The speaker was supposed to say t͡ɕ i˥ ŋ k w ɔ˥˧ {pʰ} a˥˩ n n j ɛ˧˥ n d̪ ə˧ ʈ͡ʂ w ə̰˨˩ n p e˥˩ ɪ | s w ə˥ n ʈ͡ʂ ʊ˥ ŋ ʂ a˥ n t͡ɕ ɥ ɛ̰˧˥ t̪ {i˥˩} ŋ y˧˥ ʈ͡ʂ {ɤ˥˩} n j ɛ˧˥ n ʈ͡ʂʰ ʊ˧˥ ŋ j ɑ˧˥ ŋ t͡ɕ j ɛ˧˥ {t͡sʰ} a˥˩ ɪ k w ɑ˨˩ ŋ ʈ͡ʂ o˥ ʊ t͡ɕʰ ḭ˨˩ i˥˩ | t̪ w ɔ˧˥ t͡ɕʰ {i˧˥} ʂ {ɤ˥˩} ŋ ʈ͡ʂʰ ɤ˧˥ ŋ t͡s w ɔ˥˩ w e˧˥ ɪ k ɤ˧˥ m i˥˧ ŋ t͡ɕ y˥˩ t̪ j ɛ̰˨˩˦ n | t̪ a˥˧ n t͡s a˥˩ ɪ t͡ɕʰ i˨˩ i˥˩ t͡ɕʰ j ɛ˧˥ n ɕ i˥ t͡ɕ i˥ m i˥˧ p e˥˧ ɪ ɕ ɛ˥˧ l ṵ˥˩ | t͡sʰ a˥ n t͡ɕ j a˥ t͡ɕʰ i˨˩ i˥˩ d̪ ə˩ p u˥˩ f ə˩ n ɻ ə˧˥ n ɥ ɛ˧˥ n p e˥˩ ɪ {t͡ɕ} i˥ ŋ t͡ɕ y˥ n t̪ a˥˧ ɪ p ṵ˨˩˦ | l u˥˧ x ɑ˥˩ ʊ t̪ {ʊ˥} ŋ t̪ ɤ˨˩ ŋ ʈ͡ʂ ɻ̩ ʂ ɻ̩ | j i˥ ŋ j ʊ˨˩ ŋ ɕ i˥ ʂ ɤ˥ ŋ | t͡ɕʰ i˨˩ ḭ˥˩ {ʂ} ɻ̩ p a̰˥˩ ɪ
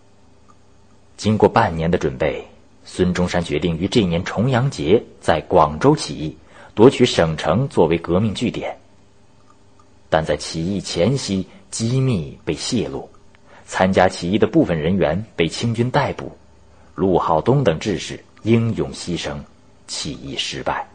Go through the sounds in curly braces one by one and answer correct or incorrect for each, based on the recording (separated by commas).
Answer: incorrect, correct, correct, incorrect, incorrect, incorrect, incorrect, correct, correct